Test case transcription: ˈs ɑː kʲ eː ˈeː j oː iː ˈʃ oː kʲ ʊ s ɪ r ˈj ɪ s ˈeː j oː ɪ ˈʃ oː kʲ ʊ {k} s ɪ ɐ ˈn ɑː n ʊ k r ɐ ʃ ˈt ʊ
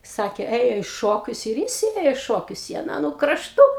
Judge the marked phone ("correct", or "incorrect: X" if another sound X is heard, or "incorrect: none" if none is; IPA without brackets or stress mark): incorrect: none